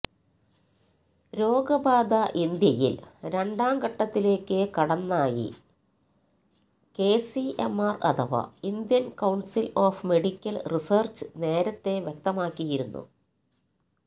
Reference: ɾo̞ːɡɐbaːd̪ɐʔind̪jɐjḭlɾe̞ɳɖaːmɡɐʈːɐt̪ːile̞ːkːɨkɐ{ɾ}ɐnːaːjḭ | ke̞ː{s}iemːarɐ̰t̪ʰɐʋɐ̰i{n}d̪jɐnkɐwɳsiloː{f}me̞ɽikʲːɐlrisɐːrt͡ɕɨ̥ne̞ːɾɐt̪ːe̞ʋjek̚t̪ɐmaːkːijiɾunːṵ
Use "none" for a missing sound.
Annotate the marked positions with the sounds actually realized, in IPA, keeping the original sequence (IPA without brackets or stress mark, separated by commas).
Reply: ɽ, s, n, f